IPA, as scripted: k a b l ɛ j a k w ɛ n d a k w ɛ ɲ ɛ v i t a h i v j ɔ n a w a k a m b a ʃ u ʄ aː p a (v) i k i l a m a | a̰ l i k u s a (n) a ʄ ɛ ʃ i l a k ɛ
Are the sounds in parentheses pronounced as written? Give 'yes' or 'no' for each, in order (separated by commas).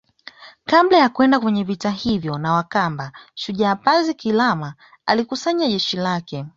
no, no